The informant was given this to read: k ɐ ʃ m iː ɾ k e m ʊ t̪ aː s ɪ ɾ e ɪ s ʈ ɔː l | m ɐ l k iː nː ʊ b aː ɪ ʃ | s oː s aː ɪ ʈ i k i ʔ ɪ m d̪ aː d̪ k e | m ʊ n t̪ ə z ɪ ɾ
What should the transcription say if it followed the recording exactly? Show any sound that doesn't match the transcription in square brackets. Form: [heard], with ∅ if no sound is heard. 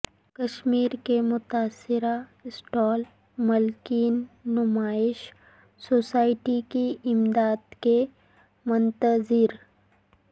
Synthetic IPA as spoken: k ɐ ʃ m iː ɾ k e m ʊ t̪ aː s ɪ ɾ [a] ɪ s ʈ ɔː l | m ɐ l k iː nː ʊ [m] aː ɪ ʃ | s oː s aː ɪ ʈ i k i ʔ ɪ m d̪ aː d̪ k e | m ʊ n t̪ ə z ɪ ɾ